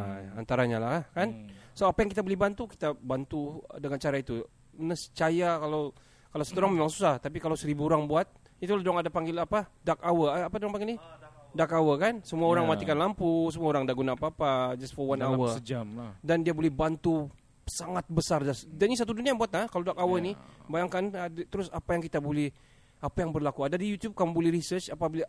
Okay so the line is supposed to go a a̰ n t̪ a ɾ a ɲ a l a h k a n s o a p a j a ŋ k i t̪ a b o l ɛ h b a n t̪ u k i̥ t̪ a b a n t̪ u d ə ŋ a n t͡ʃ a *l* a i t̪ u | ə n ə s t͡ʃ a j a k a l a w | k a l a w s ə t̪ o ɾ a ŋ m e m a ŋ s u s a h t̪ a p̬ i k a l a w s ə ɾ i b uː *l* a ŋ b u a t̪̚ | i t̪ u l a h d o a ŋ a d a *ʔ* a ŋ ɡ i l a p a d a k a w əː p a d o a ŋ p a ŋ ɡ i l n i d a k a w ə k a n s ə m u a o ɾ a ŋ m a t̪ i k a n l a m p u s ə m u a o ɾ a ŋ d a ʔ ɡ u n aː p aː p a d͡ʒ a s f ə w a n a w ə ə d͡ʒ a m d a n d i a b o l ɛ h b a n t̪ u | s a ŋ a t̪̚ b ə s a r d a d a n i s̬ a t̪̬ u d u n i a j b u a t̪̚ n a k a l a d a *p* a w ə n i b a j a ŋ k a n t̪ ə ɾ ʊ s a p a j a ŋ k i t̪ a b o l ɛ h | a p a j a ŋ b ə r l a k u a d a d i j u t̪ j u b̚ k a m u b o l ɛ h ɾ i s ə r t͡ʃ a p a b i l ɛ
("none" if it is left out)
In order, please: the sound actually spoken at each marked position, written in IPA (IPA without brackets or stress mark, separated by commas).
ɾ, ɾ, p, k